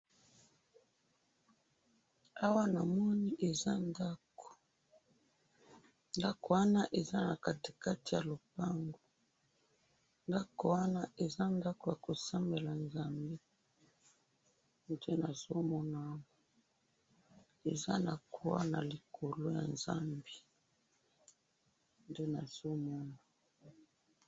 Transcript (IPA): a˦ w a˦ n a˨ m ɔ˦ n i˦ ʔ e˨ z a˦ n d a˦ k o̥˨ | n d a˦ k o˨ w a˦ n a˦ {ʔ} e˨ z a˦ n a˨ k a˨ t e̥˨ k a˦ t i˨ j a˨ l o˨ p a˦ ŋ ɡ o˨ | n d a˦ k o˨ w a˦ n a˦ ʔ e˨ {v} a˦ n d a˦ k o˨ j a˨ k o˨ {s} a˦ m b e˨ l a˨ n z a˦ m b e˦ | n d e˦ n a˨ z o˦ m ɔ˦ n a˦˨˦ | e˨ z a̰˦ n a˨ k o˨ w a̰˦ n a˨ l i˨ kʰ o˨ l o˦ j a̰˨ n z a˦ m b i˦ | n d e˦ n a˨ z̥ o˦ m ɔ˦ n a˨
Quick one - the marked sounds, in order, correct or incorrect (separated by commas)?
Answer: correct, incorrect, correct